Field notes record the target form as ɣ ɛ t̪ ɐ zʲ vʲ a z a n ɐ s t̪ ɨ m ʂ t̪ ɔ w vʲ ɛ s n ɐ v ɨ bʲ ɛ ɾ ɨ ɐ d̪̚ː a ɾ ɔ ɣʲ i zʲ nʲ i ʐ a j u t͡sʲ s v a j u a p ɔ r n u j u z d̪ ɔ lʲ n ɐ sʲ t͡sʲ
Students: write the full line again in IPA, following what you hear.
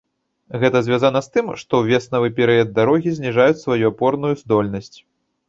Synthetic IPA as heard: ɣ ɛ t̪ ɐ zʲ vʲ a z a n ɐ s t̪ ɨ m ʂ t̪ ɔ w vʲ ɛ s n ɐ v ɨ pʲ ɛ ɾ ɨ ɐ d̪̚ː a ɾ ɔ ɣʲ i zʲ nʲ i ʐ a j u t͡sʲ s v a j u a p ɔ r n u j u z d̪ ɔ lʲ n ɐ sʲ t͡sʲ